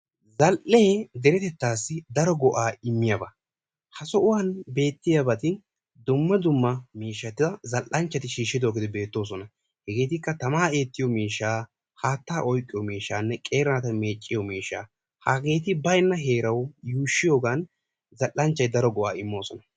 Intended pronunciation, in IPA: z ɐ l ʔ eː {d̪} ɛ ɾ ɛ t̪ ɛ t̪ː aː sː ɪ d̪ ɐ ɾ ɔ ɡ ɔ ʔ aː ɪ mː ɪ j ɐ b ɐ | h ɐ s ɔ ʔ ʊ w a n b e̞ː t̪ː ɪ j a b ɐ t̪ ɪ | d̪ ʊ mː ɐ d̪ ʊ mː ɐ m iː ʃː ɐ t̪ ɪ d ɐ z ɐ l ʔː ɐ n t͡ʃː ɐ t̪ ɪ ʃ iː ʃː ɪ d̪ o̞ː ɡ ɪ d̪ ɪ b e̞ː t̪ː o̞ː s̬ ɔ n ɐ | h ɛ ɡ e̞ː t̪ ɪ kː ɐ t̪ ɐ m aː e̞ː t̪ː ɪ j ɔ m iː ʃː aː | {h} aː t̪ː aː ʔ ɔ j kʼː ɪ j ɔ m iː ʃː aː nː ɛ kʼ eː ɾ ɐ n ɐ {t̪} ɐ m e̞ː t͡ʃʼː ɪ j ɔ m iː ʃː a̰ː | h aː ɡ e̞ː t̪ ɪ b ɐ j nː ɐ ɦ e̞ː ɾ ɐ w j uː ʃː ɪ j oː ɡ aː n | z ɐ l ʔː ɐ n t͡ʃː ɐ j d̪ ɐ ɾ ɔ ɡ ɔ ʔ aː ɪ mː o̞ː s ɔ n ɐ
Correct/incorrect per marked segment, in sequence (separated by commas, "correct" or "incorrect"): correct, correct, correct